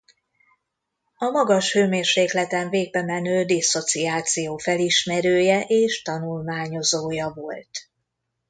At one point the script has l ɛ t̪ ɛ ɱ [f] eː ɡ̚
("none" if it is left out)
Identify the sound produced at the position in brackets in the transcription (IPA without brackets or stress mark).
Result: v